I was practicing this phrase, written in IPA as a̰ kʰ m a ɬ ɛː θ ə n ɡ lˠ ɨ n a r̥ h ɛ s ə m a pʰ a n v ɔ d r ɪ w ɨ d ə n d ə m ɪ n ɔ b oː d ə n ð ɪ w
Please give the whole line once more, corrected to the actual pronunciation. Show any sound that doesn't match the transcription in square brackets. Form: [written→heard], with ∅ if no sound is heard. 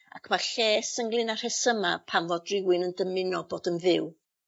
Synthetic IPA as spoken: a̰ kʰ m a ɬ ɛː [θ→s] ə [n→ŋ] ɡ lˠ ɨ n a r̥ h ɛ s ə m a pʰ a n v ɔ d r ɪ w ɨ [d→n] ə n d ə m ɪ n ɔ b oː d ə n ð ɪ w